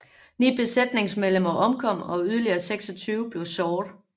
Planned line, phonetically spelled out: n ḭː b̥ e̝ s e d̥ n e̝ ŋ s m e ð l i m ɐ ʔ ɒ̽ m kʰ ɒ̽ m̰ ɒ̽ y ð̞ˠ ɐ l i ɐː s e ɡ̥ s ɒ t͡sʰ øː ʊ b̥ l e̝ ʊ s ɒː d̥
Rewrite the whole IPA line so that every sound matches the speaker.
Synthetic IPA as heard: n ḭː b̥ e̝ s e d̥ n e̝ ŋ s m e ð l e m ɐ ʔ ɒ̽ m kʰ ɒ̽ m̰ ɒ̽ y ð̞ˠ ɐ l i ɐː s e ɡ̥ s ɒ t͡sʰ yː ʊ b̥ l e̝ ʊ s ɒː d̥